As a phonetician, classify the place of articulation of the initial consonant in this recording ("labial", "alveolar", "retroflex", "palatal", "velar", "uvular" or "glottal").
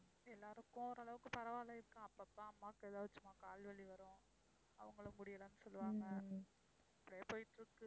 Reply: alveolar